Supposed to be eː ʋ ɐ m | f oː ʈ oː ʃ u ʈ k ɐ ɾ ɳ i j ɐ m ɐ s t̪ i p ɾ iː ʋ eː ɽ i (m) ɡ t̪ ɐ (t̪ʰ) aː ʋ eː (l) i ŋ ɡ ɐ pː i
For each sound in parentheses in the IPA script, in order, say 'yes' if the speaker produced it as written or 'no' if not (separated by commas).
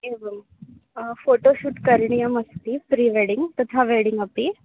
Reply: no, yes, no